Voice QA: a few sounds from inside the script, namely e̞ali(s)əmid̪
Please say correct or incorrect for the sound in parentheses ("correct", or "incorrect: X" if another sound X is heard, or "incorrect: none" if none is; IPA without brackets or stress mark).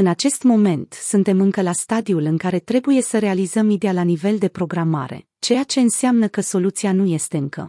incorrect: z